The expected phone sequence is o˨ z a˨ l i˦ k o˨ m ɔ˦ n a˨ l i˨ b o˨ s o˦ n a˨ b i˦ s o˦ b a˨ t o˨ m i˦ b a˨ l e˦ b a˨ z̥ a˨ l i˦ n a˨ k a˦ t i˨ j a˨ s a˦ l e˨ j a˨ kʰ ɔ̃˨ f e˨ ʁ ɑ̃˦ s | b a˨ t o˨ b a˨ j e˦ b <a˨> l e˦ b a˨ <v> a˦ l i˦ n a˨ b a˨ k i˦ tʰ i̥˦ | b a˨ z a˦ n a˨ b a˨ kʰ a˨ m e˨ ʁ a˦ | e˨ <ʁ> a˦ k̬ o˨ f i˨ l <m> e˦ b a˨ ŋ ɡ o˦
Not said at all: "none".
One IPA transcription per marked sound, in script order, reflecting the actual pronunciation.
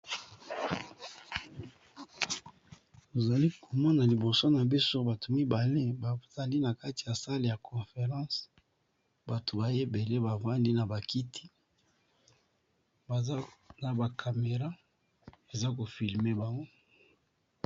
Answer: e˨, v, z, m

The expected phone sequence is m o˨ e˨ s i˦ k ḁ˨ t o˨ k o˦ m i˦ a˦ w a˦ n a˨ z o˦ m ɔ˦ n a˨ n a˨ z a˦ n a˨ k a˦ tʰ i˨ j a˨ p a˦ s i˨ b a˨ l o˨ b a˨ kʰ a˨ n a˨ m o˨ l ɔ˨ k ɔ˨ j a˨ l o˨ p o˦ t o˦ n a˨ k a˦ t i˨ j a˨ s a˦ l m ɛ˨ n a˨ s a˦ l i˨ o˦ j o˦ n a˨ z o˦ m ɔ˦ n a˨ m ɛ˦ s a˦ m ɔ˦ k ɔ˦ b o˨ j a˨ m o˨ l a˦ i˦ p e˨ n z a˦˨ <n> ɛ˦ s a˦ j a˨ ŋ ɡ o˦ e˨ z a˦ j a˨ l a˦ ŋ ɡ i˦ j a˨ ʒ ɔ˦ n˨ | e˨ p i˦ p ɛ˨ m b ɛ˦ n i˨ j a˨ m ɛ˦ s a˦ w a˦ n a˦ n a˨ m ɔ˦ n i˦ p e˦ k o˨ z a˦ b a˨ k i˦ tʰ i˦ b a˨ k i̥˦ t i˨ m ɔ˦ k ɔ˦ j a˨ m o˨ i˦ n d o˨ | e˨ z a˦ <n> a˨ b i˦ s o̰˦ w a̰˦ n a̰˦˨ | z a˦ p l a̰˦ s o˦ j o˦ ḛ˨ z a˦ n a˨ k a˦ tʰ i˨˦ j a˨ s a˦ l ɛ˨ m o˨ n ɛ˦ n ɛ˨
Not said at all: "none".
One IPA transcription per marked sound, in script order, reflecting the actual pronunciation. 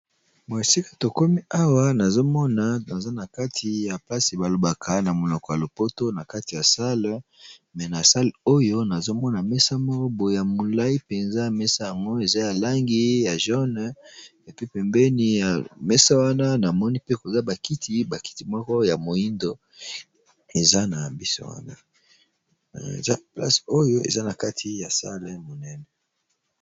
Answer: m, n

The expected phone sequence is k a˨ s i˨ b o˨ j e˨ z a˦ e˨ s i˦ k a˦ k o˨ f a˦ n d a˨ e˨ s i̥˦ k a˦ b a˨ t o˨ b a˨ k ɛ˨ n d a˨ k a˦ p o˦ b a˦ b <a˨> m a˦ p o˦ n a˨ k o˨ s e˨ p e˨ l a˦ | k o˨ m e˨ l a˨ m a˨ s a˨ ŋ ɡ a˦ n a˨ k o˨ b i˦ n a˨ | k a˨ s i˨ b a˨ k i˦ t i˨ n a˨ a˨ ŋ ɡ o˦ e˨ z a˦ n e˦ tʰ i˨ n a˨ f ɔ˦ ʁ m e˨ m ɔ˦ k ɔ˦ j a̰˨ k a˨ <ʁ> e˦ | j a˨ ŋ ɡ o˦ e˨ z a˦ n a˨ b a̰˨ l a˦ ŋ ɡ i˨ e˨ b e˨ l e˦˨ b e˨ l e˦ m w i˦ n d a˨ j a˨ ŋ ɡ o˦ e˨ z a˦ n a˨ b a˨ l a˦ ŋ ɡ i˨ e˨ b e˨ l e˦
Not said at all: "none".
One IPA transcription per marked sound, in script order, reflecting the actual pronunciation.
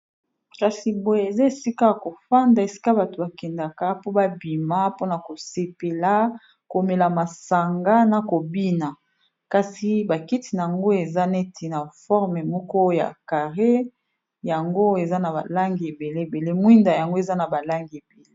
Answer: i˨, ʁ

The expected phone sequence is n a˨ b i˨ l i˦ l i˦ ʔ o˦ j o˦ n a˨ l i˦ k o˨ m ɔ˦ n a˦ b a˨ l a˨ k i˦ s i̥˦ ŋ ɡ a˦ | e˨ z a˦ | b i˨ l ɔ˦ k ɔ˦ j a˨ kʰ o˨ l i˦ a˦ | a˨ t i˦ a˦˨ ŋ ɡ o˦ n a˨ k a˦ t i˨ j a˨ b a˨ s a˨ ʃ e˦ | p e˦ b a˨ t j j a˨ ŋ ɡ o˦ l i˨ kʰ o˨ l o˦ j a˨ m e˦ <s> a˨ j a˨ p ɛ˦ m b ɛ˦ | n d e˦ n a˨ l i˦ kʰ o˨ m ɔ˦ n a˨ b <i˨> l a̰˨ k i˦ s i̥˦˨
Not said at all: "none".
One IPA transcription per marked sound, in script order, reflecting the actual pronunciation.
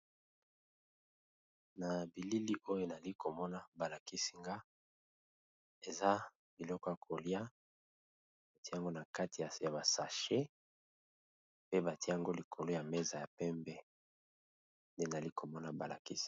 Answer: z, a˨

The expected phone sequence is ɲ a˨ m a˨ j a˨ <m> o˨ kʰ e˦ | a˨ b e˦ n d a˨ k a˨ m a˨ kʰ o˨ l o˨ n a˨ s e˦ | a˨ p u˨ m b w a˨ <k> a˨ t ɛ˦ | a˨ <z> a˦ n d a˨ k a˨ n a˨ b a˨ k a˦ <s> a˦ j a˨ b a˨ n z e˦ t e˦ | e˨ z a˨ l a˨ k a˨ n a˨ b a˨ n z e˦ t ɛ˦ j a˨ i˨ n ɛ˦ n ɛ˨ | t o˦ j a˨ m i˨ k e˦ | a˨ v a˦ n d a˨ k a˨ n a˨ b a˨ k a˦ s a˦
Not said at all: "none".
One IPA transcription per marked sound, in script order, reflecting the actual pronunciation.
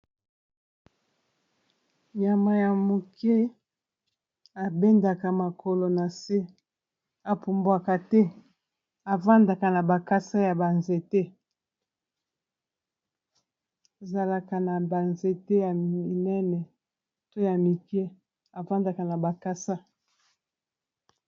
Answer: m, k, v, s

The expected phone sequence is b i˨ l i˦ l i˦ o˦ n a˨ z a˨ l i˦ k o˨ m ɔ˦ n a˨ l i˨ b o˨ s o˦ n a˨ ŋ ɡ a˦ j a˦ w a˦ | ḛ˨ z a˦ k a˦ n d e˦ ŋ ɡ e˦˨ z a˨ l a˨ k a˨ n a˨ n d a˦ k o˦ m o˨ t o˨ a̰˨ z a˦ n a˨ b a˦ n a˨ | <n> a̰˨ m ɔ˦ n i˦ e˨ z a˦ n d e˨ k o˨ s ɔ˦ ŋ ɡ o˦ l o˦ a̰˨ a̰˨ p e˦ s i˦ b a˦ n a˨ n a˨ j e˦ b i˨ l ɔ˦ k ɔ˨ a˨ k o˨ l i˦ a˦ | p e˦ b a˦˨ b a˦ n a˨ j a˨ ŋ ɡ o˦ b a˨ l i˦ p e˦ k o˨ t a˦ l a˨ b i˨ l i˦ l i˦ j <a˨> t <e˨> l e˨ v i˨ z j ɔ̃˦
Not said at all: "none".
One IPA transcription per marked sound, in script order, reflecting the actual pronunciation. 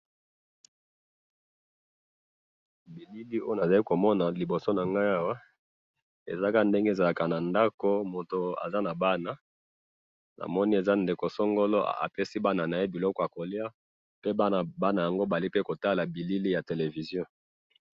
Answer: n, a˨, e˨

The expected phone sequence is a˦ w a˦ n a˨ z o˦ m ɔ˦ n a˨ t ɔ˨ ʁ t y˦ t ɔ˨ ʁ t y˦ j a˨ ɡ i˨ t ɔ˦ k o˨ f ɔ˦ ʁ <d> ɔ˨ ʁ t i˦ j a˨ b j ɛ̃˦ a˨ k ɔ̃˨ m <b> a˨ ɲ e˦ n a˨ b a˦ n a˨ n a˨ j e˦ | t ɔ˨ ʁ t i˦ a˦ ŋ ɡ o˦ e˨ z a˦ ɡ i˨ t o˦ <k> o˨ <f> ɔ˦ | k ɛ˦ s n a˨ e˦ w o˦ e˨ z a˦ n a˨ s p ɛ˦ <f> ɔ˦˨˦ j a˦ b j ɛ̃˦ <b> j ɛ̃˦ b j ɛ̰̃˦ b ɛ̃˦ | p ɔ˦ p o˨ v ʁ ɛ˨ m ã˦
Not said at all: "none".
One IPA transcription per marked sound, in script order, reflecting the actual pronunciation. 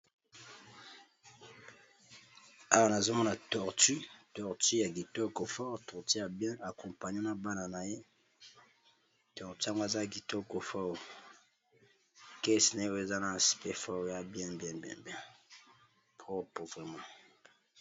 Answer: t, p, k, f, f, b

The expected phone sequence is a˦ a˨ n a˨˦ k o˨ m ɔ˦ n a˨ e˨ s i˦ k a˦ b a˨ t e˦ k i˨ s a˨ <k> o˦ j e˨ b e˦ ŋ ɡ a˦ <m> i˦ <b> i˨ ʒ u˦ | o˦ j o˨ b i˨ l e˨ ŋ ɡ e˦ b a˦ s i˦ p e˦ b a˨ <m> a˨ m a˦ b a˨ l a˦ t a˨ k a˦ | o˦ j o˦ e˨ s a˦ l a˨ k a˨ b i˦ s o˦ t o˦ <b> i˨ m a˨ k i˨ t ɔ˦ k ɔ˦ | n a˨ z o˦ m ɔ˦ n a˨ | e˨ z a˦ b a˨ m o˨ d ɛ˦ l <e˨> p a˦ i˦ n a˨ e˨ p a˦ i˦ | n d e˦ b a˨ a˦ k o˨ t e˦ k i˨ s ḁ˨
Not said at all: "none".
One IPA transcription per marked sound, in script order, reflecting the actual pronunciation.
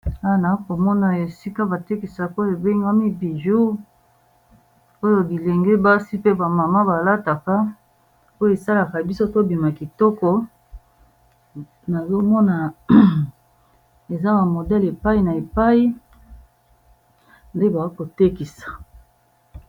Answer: k, m, b, m, b, e˨

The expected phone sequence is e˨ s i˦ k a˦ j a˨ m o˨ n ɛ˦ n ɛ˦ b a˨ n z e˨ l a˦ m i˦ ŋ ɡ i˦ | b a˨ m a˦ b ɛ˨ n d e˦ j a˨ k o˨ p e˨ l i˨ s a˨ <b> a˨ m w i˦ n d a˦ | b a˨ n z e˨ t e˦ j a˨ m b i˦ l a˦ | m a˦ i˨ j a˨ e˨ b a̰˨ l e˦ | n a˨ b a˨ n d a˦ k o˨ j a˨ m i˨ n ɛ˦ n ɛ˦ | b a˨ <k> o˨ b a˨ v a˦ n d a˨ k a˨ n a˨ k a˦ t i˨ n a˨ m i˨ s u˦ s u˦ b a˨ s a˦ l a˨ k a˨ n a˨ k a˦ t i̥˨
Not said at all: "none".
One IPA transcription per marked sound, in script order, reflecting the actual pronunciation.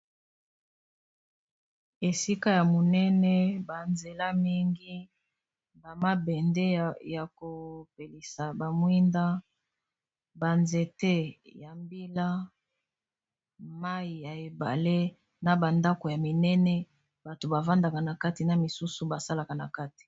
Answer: b, t

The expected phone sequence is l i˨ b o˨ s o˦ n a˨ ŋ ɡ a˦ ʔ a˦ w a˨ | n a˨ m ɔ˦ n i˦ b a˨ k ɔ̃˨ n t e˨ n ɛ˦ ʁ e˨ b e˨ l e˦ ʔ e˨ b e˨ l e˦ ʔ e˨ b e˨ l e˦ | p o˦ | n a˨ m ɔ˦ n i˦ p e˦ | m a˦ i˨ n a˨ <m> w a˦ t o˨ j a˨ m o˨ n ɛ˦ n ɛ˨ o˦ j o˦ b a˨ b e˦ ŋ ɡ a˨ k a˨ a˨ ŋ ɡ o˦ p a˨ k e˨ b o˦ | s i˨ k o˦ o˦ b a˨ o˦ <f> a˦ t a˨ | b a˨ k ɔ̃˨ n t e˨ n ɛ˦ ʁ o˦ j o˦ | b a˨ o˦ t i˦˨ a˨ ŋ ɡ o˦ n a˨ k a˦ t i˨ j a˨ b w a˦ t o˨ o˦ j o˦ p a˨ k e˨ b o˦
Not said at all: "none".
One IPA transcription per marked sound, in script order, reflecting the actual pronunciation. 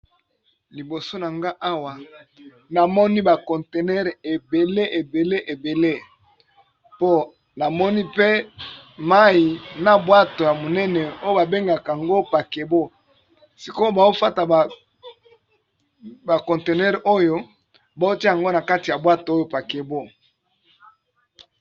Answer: b, f

